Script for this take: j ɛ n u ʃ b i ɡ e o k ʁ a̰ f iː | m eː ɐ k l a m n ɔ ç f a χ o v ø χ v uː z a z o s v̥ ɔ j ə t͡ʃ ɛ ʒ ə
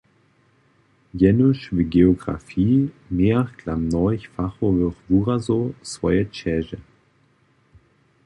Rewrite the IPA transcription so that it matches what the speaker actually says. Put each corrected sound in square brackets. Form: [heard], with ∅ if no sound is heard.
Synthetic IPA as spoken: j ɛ n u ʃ [v] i ɡ e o [ɡ] ʁ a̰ f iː | m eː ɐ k l a m n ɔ ç f a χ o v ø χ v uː [ʁ] a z o s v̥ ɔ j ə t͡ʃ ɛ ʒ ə